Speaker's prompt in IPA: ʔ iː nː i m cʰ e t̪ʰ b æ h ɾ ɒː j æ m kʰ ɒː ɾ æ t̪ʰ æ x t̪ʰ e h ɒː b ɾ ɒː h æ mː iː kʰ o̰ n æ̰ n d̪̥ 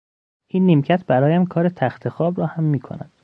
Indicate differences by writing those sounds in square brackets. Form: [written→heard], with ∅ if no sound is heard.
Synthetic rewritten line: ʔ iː nː i m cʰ [e→æ] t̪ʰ b æ [h→∅] ɾ ɒː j æ m kʰ ɒː ɾ [æ→e] t̪ʰ æ x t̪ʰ e [h→x] ɒː b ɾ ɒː h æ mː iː kʰ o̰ n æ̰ n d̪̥